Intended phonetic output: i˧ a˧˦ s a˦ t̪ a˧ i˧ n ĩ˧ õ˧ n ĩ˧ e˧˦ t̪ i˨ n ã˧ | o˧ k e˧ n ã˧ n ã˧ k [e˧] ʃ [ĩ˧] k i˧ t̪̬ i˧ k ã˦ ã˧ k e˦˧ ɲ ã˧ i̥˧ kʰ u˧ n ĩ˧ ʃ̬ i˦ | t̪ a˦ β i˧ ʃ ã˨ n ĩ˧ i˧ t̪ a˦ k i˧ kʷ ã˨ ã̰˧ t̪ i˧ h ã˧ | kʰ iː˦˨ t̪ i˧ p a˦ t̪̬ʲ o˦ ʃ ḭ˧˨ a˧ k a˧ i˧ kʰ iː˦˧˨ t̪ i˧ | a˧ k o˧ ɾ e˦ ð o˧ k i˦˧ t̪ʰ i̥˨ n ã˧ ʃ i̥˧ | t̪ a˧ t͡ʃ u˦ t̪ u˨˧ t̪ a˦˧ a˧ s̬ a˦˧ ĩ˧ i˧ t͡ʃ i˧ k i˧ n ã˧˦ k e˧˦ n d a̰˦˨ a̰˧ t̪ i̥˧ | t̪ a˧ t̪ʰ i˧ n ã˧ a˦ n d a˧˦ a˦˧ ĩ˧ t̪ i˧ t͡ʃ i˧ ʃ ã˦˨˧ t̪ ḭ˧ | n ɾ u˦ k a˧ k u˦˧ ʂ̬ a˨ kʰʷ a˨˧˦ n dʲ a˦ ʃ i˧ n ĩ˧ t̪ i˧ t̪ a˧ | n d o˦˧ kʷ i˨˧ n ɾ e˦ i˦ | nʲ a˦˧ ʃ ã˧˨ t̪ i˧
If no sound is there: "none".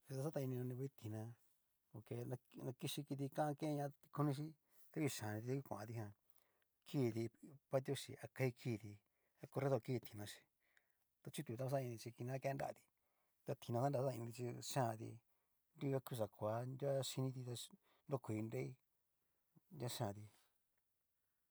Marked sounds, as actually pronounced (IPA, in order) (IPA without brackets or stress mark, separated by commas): i˧, i˧